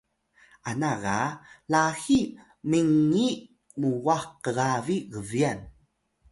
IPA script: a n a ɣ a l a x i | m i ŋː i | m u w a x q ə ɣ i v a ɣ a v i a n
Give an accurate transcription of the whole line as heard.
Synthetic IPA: a n a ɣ a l a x i | m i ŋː i | m u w a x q ə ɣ a v i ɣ ə v i a n